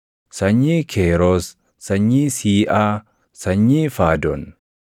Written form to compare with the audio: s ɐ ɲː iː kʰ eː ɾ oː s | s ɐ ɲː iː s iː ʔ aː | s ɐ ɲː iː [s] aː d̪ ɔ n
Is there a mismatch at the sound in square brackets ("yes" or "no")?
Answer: yes